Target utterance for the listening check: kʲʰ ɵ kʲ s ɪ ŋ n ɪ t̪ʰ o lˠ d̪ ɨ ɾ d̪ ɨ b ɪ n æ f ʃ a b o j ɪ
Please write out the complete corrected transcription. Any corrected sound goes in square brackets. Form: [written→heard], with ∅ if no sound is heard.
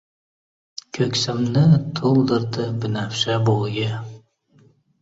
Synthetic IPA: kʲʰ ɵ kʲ s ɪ [ŋ→m] n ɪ t̪ʰ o lˠ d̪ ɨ ɾ d̪ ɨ b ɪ n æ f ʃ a b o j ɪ